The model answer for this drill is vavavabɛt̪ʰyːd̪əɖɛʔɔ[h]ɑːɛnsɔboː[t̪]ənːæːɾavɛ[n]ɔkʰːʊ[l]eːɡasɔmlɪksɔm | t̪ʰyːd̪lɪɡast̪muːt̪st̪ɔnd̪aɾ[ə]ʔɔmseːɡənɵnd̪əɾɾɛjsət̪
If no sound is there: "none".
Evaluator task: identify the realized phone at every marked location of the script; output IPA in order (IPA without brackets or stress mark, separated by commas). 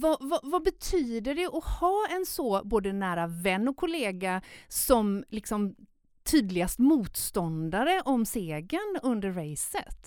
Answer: h, d̪, nː, l, ə